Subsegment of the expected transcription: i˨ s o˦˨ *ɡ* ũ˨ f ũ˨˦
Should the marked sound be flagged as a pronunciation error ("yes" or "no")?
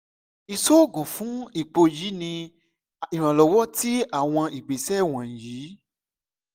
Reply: no